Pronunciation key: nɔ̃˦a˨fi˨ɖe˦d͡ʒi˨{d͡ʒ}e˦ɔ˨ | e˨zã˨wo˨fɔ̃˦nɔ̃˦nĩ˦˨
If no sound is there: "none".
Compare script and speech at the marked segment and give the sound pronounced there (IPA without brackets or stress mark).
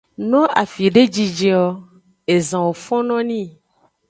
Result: d͡ʒ